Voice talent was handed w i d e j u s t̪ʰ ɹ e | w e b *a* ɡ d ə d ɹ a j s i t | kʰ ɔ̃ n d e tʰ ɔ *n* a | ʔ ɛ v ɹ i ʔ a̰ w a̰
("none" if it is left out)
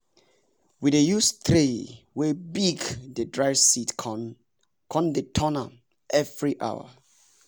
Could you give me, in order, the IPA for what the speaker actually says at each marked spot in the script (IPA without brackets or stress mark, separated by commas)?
i, n